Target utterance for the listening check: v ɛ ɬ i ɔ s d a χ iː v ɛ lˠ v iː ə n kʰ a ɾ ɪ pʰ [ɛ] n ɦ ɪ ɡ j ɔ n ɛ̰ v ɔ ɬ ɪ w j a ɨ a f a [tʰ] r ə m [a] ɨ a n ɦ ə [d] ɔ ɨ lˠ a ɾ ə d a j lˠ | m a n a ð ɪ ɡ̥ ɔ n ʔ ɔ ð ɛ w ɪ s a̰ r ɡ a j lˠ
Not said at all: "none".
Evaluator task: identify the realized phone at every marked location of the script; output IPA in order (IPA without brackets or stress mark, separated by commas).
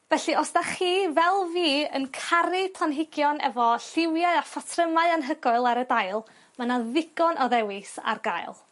a, tʰ, a, ɡ